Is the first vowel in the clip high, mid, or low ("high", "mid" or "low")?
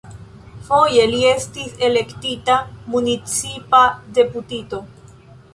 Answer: mid